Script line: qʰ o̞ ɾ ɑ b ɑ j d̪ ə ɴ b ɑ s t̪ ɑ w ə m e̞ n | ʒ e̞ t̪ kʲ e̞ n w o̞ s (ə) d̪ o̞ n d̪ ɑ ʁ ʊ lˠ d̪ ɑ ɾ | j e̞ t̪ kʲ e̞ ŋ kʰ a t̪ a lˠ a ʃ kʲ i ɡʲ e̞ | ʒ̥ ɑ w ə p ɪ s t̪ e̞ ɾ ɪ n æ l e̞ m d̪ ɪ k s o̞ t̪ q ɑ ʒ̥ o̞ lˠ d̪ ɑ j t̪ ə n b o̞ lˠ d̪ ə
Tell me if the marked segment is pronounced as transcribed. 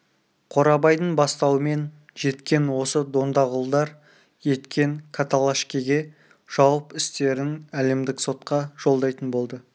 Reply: yes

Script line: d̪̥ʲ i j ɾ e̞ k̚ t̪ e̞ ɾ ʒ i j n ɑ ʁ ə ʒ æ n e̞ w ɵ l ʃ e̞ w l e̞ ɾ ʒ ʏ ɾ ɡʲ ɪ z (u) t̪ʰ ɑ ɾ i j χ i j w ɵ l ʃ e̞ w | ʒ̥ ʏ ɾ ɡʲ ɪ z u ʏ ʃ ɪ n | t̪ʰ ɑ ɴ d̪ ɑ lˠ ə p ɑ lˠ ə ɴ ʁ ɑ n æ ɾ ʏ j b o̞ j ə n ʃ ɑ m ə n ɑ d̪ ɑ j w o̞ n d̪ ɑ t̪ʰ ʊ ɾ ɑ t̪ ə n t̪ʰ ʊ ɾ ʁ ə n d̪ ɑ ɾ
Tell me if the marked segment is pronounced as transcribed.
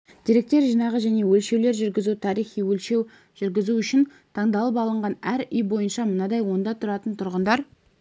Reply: yes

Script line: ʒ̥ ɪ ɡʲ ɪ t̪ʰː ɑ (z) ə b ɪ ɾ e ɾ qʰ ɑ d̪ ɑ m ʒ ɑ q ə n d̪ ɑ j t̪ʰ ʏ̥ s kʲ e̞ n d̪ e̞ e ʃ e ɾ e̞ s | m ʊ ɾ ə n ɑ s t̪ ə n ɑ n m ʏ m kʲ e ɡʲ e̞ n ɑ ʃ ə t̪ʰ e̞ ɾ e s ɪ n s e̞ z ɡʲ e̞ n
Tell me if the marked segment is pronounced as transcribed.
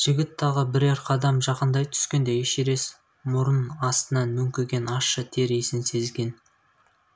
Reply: no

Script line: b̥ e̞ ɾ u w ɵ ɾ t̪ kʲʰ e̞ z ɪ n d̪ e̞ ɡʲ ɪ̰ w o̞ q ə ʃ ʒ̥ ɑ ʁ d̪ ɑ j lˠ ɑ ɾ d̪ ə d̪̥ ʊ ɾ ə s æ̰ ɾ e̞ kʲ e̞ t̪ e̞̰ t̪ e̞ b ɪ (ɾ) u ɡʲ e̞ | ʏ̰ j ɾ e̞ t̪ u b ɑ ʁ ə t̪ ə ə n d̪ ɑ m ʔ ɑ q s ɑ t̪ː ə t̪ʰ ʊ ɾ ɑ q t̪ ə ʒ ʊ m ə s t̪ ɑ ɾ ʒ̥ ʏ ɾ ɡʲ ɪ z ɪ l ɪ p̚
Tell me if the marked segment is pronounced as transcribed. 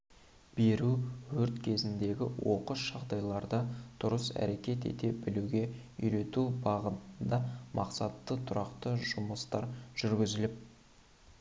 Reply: no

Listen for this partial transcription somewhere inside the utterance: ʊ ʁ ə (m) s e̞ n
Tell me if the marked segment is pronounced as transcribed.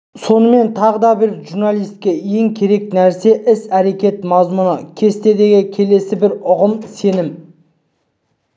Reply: yes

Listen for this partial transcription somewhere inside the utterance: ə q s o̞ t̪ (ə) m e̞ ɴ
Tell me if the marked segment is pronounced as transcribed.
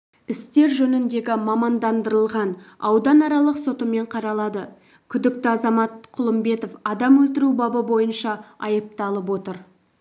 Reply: yes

